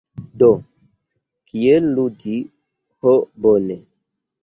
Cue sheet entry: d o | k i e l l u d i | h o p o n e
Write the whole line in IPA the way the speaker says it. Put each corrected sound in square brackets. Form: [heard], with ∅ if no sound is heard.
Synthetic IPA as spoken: d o | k i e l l u d i | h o [b] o n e